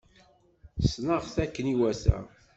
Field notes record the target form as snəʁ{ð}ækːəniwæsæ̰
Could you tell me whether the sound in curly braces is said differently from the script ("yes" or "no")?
yes